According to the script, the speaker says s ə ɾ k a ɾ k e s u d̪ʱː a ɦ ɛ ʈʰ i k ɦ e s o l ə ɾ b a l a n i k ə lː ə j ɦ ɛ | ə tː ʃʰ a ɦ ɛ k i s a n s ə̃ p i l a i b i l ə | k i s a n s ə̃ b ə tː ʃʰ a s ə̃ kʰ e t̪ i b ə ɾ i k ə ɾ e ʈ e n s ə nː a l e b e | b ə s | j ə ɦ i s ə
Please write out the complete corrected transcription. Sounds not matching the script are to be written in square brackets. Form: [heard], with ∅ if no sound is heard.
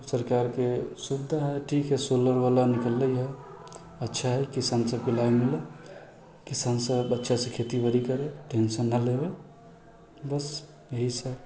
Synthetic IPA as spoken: s ə ɾ k a ɾ k e s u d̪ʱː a ɦ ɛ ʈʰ i k ɦ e s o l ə ɾ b a l a n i k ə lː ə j ɦ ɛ | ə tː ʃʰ a ɦ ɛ k i s a n s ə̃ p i l a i [m] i l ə | k i s a n s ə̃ b ə tː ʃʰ a s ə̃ kʰ e t̪ i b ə ɾ i k ə ɾ e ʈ e n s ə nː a l e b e | b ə s | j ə ɦ i s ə

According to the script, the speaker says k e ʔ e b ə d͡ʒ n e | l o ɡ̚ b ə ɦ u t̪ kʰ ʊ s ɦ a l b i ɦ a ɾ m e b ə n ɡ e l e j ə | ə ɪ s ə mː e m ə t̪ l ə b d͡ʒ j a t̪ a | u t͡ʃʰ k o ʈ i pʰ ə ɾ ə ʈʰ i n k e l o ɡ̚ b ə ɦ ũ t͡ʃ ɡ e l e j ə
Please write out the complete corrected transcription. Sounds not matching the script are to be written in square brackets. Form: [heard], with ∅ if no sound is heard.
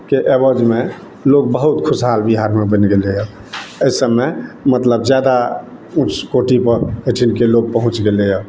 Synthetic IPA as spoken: k e ʔ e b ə d͡ʒ [m] e | l o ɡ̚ b ə ɦ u t̪ kʰ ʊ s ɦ a l b i ɦ a ɾ m e b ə n ɡ e l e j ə | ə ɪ s ə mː e m ə t̪ l ə b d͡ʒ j a [d̪] a | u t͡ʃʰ k o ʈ i [p] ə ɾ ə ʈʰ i n k e l o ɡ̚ [p] ə ɦ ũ t͡ʃ ɡ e l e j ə

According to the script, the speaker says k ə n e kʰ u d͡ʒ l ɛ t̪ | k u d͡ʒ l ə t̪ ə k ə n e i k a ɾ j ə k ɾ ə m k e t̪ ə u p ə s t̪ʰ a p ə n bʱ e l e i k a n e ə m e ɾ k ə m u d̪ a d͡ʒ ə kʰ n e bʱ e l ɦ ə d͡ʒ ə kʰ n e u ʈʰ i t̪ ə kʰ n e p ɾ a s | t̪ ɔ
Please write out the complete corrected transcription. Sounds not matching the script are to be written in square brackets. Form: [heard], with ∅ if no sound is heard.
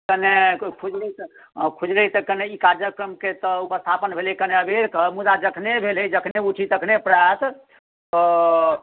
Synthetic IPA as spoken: k ə n e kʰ u d͡ʒ l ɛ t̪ | [kʰ] u d͡ʒ l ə t̪ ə k ə n e i k a ɾ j ə k ɾ ə m k e t̪ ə u p ə s t̪ʰ a p ə n bʱ e l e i k [ə] n e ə [b] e ɾ k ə m u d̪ a d͡ʒ ə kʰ n e bʱ e l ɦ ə d͡ʒ ə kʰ n e u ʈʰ i t̪ ə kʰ n e p ɾ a s | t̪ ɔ

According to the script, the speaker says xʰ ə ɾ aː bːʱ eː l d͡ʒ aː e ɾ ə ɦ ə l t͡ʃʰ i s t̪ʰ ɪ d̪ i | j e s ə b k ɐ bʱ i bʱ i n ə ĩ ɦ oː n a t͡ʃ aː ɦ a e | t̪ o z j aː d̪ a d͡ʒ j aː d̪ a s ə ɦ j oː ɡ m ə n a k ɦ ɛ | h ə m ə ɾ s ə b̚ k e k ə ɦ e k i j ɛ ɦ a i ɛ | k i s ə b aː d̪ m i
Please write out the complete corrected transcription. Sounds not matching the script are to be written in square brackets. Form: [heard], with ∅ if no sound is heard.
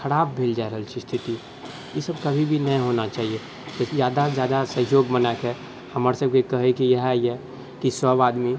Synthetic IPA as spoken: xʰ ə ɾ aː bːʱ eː l d͡ʒ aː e ɾ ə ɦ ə l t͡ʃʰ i s t̪ʰ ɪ [t̪] i | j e s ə b k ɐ bʱ i bʱ i n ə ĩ ɦ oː n a t͡ʃ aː ɦ [i] e | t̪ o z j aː d̪ a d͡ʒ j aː d̪ a s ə ɦ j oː ɡ m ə n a k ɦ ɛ | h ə m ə ɾ s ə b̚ k e k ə ɦ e k i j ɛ ɦ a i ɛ | k i s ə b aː d̪ m i

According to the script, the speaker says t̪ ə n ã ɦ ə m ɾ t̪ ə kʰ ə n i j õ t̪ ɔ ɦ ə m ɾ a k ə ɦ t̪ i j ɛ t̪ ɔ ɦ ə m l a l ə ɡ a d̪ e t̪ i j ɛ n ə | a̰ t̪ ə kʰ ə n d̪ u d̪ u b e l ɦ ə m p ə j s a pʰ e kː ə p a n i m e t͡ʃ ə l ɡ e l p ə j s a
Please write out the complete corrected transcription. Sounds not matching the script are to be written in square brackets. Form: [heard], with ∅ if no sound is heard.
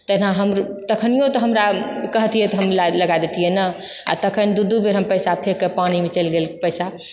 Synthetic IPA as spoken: t̪ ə n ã ɦ ə m ɾ t̪ ə kʰ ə n i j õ t̪ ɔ ɦ ə m ɾ a k ə ɦ t̪ i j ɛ t̪ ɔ ɦ ə m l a l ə ɡ a d̪ e t̪ i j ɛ n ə | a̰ t̪ ə kʰ ə n d̪ u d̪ u b e [ɾ] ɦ ə m p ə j s a pʰ e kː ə p a n i m e t͡ʃ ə l ɡ e l p ə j s a

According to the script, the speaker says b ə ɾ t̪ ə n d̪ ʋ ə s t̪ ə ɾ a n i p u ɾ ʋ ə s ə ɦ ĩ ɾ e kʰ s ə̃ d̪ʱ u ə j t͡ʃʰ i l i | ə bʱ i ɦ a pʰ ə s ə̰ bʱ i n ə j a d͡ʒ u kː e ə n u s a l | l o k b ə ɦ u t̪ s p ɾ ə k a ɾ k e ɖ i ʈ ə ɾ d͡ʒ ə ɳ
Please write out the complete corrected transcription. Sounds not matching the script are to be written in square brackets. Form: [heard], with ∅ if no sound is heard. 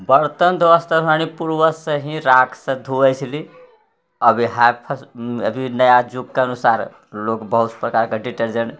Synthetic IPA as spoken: b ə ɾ t̪ ə n d̪ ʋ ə s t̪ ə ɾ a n i p u ɾ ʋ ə s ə ɦ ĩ ɾ [a] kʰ s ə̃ d̪ʱ u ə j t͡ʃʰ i l i | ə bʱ i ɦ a pʰ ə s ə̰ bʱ i n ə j a d͡ʒ u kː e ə n u s a [ɾ] | l o k b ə ɦ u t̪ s p ɾ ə k a ɾ k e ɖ i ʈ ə ɾ d͡ʒ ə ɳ

